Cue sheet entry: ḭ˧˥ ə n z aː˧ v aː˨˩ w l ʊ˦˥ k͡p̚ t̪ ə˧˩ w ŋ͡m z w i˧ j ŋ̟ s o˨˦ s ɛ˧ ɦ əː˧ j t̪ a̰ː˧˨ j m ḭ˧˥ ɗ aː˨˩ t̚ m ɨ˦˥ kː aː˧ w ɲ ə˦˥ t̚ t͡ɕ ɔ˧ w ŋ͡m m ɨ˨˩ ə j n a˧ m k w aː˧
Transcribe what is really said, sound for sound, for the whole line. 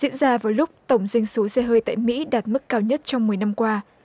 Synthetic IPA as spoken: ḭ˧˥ ə n z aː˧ v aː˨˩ w l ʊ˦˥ k͡p̚ t̪ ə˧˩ w ŋ͡m z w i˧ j ŋ̟ s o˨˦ s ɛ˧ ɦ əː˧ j t̪ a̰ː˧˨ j m ḭ˧˥ ɗ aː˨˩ t̚ m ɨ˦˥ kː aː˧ w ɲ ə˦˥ t̚ t͡ɕ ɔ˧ w ŋ͡m m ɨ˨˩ ə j n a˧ m k w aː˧